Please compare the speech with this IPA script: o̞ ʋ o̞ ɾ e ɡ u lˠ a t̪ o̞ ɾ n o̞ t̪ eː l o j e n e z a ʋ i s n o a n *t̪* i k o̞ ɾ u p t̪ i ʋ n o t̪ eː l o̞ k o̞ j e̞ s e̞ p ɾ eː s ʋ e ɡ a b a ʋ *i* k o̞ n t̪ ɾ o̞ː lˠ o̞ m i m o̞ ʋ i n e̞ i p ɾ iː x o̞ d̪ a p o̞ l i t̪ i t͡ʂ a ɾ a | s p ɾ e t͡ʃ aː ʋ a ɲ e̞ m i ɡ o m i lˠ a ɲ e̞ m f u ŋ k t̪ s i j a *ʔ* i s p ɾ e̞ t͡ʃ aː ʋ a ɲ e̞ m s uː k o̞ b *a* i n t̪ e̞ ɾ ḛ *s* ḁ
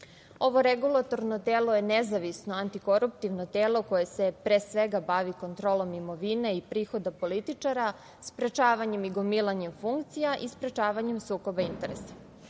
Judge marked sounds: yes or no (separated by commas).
yes, yes, yes, yes, yes